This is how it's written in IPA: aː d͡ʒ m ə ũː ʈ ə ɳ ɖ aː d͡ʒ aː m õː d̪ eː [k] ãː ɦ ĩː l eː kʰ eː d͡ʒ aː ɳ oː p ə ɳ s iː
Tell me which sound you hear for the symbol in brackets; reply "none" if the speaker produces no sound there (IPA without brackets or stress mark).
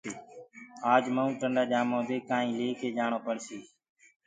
k